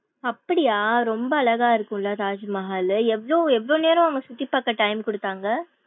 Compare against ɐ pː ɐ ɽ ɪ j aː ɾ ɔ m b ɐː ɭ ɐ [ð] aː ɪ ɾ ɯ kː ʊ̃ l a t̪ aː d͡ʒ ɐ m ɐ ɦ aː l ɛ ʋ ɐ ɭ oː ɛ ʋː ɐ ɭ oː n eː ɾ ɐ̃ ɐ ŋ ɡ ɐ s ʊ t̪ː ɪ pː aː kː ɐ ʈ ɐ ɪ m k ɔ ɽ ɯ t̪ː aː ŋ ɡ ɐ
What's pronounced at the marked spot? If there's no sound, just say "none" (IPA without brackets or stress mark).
ɣ